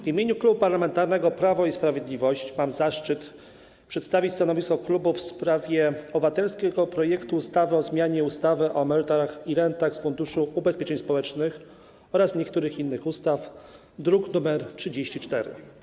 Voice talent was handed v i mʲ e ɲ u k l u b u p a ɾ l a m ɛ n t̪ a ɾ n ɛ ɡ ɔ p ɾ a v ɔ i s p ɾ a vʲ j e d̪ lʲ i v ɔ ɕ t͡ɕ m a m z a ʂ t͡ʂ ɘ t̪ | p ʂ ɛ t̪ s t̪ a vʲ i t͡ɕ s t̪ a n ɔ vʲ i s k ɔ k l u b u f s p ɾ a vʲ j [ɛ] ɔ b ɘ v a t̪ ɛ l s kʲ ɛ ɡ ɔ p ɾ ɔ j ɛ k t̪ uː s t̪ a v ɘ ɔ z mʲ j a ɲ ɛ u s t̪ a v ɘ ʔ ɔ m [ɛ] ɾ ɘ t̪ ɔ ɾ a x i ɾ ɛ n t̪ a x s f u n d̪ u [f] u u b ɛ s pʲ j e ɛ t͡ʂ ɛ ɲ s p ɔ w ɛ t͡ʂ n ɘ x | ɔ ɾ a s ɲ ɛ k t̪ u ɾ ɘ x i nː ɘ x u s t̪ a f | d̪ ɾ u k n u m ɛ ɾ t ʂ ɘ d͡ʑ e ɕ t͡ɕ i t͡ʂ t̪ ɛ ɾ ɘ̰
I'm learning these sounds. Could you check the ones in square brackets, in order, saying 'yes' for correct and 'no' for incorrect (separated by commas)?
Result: yes, yes, no